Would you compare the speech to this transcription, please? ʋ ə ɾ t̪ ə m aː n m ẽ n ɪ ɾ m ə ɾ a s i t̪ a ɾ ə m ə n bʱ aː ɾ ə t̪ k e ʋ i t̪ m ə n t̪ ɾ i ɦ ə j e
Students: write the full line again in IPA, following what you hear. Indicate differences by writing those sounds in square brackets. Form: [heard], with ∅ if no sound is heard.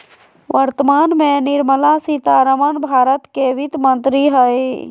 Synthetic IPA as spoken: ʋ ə ɾ t̪ ə m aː n m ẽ n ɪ ɾ m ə [l] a s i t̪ a ɾ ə m ə n bʱ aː ɾ ə t̪ k e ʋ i t̪ m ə n t̪ ɾ i ɦ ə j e